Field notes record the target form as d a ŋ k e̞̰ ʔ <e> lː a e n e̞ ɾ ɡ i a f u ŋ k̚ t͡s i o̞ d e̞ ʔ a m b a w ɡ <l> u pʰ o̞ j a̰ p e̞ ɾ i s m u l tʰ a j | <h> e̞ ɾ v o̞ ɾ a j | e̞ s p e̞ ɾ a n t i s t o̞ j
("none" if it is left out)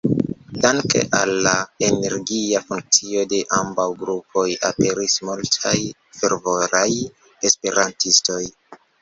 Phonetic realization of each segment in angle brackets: a, ɾ, f

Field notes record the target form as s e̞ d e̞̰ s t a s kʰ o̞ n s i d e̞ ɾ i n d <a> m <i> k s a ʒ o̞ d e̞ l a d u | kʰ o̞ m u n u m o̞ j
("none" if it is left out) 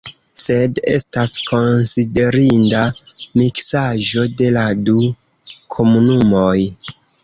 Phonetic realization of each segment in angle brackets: a, i

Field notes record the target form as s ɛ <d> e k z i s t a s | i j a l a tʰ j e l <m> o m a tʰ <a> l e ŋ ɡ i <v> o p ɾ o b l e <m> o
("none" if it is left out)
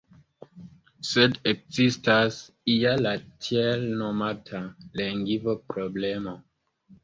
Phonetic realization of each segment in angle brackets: d, n, a, v, m

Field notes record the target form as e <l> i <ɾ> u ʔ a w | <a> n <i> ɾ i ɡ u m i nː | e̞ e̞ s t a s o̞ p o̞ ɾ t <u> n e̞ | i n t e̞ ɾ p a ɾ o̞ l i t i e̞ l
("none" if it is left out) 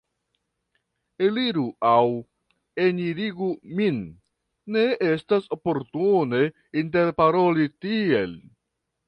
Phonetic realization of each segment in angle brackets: l, ɾ, e, i, u

